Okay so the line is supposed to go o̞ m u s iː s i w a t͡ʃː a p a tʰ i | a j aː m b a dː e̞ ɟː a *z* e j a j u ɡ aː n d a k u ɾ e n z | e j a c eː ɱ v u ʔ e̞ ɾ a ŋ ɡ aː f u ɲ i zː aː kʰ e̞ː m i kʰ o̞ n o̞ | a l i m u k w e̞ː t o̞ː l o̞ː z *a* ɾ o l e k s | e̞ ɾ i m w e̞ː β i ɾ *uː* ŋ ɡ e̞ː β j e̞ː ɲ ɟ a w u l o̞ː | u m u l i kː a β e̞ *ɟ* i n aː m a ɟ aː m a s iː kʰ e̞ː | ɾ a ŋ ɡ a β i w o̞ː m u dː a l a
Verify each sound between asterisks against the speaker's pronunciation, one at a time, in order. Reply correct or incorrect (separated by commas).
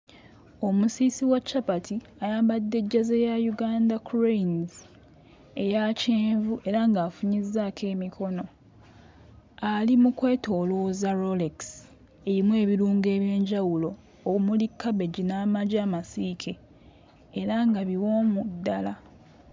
correct, correct, correct, correct